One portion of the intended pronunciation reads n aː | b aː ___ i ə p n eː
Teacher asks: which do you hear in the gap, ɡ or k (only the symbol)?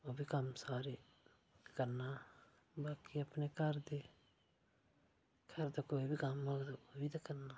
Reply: k